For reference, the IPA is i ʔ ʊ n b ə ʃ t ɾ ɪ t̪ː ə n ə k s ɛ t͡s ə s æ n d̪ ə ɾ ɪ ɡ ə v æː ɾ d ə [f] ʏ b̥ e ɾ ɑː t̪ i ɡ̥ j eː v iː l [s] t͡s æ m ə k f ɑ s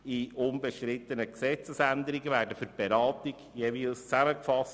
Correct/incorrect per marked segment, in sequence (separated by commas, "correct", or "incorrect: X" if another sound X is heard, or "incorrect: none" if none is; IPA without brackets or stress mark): correct, correct